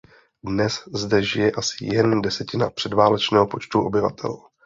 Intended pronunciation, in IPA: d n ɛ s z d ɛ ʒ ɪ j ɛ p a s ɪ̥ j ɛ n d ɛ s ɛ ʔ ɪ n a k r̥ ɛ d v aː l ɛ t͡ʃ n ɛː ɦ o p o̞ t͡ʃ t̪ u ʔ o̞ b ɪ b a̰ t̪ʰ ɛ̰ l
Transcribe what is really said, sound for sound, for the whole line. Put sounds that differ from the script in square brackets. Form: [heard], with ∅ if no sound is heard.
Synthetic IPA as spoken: d n ɛ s z d ɛ ʒ ɪ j ɛ [ʔ] a s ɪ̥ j ɛ n d ɛ s ɛ [c] ɪ n a [p] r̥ ɛ d v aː l ɛ t͡ʃ n ɛː ɦ o p o̞ t͡ʃ t̪ u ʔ o̞ b ɪ [v] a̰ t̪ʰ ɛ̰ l